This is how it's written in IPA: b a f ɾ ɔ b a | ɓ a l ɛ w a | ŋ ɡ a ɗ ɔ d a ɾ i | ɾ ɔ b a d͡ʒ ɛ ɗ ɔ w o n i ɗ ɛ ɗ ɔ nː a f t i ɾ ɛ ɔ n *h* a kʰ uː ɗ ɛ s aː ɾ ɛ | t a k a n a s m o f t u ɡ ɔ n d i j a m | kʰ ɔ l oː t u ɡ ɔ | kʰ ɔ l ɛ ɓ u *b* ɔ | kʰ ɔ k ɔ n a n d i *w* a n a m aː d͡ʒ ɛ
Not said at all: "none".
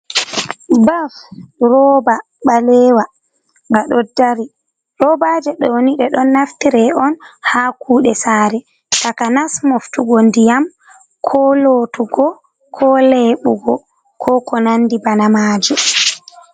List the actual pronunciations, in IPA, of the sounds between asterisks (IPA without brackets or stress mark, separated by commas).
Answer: h, ɡ, b